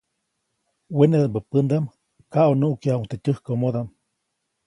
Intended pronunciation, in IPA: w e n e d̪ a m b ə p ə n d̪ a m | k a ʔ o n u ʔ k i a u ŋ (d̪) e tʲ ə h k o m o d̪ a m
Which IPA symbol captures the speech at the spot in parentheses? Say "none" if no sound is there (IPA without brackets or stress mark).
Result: t̪